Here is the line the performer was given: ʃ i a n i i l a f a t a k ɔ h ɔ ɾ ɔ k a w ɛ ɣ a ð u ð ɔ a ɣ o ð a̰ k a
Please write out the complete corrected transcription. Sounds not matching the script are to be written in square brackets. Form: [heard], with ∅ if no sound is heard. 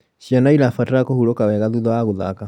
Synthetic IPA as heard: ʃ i a n [a] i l a f a t a k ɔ h [u] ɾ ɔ k a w ɛ ɣ a ð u ð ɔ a ɣ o ð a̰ k a